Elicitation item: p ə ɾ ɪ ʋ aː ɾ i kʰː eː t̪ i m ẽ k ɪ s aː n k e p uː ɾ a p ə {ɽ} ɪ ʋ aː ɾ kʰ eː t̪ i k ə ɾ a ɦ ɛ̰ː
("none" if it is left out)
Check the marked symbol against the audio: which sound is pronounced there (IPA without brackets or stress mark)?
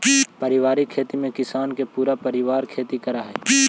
ɾ